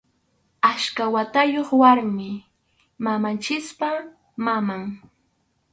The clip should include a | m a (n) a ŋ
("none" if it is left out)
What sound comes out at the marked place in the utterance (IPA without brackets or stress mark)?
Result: m